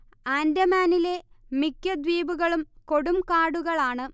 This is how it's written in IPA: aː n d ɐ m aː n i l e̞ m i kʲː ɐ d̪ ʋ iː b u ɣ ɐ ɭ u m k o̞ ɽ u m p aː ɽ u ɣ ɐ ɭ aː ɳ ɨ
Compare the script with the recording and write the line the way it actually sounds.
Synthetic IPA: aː n d ɐ m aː n i l e̞ m i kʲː ɐ d̪ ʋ iː b u ɣ ɐ ɭ u m k o̞ ɽ u m k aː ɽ u ɣ ɐ ɭ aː ɳ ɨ